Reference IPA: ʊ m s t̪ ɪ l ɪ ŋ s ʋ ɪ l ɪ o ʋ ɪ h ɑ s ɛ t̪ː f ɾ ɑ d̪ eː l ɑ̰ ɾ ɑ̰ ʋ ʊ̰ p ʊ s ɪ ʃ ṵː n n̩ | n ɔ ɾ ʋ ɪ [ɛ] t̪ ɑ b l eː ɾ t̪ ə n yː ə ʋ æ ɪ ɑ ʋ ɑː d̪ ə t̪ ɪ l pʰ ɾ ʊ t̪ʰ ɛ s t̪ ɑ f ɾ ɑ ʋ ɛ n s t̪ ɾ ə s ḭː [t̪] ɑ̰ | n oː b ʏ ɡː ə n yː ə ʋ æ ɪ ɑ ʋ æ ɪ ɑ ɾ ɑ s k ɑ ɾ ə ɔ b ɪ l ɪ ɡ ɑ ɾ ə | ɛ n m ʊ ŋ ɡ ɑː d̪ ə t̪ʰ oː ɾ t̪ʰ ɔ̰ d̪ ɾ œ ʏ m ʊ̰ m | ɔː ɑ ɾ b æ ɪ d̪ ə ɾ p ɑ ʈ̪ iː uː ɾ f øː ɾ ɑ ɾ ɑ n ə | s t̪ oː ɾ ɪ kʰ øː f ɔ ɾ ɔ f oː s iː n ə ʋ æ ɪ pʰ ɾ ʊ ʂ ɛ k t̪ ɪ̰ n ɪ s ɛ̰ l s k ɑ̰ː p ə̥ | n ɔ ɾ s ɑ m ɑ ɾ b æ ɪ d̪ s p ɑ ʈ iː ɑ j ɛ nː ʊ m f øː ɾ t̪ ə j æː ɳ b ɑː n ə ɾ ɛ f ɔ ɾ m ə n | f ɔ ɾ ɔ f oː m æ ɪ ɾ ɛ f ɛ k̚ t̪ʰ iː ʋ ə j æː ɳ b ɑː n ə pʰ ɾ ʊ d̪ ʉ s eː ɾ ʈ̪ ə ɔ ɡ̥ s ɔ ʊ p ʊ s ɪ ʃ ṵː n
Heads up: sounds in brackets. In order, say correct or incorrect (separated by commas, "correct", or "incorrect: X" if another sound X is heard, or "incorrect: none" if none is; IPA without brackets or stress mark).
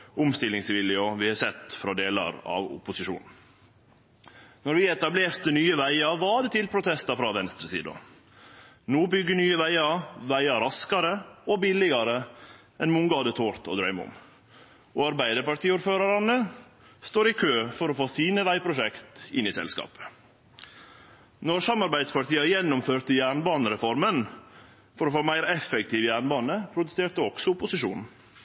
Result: correct, incorrect: d̪